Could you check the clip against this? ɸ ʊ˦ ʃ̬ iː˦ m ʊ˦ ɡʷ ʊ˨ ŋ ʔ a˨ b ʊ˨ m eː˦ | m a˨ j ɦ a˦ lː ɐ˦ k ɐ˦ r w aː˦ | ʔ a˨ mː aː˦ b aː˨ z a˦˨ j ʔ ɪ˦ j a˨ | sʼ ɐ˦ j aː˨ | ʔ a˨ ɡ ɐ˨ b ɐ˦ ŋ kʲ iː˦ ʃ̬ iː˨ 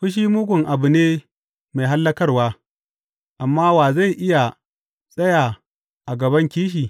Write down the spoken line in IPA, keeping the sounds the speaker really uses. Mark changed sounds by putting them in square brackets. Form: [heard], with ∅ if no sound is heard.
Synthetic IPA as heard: ɸ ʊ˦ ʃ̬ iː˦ m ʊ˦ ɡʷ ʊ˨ ŋ ʔ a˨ b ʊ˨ [n] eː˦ | m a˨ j ɦ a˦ lː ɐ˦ k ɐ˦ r w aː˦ | ʔ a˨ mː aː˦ [w] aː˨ z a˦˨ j ʔ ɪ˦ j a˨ | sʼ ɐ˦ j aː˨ | ʔ a˨ ɡ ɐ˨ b ɐ˦ ŋ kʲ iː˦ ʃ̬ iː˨